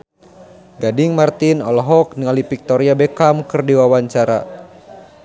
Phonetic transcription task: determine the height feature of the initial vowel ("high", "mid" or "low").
low